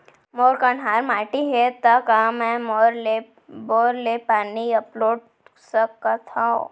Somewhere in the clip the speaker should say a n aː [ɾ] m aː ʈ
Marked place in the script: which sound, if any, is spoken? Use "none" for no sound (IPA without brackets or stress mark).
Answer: ɾ